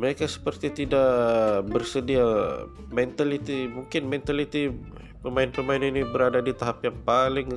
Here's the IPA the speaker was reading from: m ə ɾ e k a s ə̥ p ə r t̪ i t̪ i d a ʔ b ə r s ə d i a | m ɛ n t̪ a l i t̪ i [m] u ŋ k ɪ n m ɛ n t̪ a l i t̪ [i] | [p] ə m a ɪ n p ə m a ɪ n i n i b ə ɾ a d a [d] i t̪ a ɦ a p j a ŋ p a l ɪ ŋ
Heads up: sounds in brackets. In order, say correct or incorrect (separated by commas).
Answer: correct, correct, correct, correct